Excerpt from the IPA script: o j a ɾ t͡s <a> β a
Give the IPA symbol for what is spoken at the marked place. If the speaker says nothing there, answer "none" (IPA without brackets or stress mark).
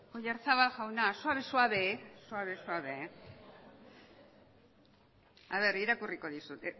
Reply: a